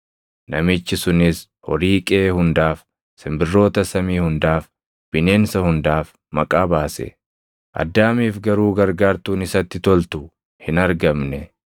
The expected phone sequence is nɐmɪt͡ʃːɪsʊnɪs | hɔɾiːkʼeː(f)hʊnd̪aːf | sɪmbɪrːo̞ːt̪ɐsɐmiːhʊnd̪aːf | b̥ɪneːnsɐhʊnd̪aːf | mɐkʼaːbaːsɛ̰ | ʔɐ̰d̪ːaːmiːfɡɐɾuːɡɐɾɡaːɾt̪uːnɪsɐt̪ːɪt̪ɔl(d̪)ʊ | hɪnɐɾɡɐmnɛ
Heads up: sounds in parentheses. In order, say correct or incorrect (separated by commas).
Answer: incorrect, incorrect